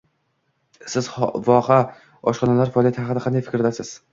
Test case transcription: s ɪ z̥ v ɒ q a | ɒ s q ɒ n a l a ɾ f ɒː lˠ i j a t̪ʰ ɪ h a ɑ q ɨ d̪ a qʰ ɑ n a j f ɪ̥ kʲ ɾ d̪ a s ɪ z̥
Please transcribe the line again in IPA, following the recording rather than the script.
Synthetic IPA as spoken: s ɪ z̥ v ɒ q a | ɒ ʃ q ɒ n a l a ɾ f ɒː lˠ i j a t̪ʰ ɪ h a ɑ q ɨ d̪ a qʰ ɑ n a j f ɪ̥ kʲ ɾ d̪ a s ɪ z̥